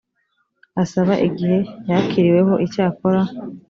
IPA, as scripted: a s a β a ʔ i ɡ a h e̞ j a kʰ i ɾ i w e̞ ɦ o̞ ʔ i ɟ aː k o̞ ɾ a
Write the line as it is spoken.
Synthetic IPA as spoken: a s a β a ʔ i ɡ i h e̞ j a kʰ i ɾ i w e̞ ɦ o̞ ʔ i c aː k o̞ ɾ a